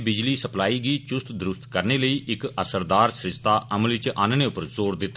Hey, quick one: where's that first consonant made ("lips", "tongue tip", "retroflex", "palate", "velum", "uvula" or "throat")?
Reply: lips